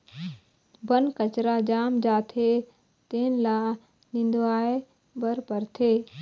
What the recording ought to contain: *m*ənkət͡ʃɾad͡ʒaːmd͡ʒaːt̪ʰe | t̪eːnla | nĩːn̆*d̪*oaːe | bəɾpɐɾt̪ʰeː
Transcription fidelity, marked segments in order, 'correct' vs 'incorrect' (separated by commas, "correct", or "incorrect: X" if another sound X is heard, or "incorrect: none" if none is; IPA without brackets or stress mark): incorrect: b, correct